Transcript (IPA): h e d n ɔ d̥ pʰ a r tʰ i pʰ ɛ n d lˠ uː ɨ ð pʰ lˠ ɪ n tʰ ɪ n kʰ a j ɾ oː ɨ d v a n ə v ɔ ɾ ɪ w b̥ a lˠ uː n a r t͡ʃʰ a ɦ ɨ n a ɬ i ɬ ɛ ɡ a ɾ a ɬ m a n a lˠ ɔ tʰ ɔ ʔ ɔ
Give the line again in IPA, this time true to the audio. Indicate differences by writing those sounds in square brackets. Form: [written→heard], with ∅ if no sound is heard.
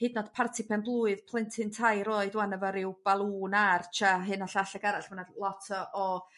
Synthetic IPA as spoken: h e d n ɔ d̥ pʰ a r tʰ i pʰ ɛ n [d→b] lˠ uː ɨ ð pʰ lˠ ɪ n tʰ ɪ n [kʰ→tʰ] a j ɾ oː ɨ d [v→w] a n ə v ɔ ɾ ɪ w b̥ a lˠ uː n a r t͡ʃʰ a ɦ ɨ n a ɬ [i→a] ɬ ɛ ɡ a ɾ a ɬ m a n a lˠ ɔ tʰ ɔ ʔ ɔ